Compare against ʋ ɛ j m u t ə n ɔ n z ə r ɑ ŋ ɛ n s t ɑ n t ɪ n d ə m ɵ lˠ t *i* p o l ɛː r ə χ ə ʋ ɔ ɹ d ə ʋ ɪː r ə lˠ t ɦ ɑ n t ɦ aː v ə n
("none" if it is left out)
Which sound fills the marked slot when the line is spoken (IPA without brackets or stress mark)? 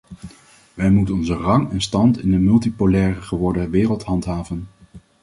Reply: i